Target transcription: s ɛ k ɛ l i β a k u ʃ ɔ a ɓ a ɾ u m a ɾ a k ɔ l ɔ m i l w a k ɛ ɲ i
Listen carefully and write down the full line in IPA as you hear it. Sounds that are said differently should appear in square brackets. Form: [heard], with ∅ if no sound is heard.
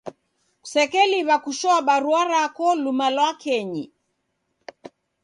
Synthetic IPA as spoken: s ɛ k ɛ l i β a k u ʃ ɔ a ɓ a ɾ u [∅] a ɾ a k ɔ l [u] m [a] l w a k ɛ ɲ i